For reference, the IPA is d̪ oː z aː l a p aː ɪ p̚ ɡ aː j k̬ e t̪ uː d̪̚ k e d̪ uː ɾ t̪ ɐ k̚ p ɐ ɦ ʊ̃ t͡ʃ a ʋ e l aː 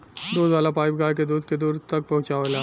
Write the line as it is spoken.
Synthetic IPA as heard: d̪ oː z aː l a p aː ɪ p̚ ɡ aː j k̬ e d̪ uː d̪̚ k e d̪ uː ɾ t̪ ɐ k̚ p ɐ ɦ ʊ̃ t͡ʃ a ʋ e l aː

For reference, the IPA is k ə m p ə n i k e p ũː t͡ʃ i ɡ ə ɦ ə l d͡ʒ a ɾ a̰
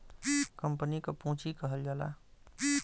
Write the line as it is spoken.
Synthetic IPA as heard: k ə m p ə n i k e p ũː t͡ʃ i k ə ɦ ə l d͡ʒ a l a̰

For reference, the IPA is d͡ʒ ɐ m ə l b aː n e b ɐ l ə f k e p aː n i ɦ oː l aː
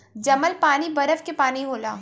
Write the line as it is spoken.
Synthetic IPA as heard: d͡ʒ ɐ m ə l p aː n i b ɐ ɾ ə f k e p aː n i ɦ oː l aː

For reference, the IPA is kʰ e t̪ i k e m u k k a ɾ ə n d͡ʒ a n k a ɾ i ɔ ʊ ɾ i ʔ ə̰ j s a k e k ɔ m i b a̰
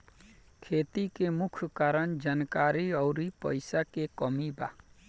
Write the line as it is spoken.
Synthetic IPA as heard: kʰ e t̪ i k e m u kʰ k a ɾ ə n d͡ʒ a n k a ɾ i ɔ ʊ ɾ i p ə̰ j s a k e k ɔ m i b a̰

